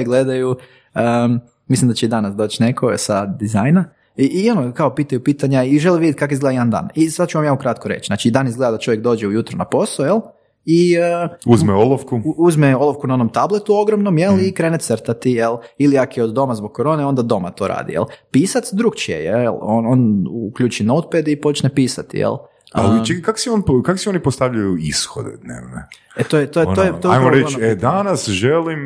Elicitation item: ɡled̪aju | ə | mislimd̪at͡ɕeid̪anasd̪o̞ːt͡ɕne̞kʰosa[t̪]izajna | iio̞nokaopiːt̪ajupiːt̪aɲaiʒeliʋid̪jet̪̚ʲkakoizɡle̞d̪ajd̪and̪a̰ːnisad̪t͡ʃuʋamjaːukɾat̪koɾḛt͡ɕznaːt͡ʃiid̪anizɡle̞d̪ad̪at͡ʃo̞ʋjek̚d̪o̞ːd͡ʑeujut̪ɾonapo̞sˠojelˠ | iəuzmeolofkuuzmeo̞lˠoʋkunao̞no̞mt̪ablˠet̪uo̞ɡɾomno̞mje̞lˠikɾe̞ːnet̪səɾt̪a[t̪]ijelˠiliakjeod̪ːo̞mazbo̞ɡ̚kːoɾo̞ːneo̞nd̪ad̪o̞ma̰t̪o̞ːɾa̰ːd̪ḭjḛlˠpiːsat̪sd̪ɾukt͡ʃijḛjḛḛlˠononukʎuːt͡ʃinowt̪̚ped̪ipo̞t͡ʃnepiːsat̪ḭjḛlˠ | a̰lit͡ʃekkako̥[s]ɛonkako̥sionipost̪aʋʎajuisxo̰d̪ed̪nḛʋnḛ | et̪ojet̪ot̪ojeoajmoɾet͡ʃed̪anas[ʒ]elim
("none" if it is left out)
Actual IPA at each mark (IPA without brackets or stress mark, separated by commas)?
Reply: d̪, t̪, s, ʒ